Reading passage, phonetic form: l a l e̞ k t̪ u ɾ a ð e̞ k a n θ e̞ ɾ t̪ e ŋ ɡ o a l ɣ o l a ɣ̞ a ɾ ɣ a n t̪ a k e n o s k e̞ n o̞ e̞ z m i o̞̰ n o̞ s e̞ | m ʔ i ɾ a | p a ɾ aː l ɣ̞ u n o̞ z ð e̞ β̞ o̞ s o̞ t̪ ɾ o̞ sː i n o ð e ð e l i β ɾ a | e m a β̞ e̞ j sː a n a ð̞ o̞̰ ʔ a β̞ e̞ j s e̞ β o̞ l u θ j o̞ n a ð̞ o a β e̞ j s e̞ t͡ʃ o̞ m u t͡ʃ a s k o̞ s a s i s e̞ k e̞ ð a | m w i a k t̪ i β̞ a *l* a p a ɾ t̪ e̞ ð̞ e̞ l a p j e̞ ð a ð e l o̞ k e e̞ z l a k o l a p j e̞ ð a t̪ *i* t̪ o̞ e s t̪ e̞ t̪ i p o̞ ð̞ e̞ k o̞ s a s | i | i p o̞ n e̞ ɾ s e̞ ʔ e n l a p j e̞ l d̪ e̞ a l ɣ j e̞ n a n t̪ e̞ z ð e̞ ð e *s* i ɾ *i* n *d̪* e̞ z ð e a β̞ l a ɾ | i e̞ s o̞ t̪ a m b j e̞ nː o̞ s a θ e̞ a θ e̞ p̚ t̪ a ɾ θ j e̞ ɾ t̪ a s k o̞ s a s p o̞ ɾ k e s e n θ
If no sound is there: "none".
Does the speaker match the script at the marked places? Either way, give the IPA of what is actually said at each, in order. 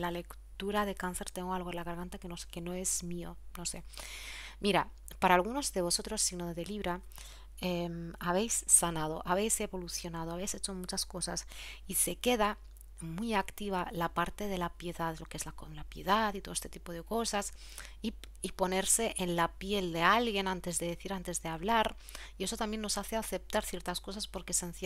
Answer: l, i, θ, a, t̪

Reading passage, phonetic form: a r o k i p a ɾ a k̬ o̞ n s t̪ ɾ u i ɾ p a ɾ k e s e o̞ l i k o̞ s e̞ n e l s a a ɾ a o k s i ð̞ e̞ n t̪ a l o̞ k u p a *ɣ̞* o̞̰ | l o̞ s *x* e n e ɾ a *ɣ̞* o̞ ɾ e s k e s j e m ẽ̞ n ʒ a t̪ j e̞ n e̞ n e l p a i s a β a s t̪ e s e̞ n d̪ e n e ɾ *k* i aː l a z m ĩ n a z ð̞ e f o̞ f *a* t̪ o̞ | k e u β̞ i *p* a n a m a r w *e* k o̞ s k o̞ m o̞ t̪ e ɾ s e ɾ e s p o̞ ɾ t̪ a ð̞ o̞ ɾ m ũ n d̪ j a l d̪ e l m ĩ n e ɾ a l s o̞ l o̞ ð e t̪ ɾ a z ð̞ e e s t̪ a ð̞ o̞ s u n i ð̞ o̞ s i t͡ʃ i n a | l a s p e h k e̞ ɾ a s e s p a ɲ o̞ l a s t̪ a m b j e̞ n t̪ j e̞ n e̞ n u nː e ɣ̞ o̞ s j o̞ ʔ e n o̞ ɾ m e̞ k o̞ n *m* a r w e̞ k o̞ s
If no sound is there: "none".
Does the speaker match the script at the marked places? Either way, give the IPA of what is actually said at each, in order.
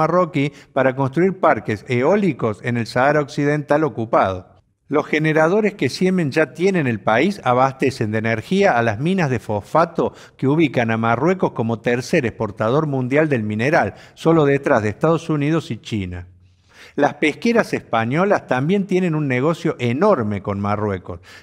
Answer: ð̞, x, ð̞, x, a, k, e, m

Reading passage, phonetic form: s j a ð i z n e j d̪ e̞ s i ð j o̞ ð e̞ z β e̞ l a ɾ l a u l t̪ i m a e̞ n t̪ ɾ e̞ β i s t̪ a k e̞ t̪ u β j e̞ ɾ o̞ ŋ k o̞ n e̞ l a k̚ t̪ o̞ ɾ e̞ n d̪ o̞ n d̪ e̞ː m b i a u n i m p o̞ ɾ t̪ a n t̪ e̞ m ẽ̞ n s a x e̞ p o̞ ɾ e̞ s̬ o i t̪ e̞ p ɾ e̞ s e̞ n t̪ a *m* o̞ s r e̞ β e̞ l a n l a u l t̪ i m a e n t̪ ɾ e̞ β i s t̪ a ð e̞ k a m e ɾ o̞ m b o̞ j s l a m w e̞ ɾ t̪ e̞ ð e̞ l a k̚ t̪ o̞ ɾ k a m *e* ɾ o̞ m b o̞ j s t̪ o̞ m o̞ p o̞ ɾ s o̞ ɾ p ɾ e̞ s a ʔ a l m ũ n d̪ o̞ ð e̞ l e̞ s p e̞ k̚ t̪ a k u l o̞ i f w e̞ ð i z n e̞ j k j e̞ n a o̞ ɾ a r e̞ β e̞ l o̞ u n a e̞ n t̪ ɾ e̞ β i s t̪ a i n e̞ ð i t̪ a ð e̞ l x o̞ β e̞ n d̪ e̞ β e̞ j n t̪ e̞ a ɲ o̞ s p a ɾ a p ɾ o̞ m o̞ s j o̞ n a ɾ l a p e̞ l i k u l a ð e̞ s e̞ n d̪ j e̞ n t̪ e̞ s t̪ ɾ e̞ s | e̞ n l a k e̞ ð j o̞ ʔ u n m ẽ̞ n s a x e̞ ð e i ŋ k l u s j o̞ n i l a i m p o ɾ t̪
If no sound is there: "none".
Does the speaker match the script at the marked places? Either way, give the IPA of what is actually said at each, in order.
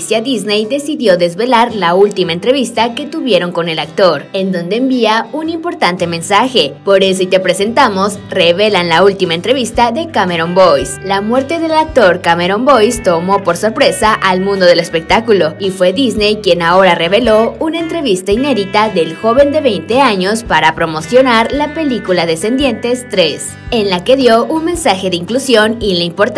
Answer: m, e

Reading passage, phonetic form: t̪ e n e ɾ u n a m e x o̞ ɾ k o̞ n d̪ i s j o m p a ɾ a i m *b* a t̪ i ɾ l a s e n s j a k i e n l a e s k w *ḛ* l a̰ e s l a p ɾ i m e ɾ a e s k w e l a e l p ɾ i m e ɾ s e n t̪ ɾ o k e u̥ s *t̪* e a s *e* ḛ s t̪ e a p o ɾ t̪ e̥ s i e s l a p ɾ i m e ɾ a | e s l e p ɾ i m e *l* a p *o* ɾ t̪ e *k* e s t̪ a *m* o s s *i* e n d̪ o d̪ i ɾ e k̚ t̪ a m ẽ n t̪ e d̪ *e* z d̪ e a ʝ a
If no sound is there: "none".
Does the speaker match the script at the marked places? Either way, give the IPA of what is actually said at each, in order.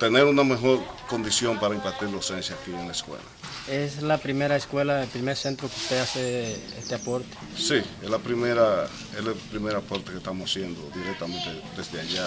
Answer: p, ḛ, t̪, e, ɾ, o, k, m, j, e

